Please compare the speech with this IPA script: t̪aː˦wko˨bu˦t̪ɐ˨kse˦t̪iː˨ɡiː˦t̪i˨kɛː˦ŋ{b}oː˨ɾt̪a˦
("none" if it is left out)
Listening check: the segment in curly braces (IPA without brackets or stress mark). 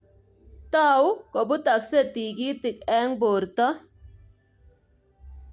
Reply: b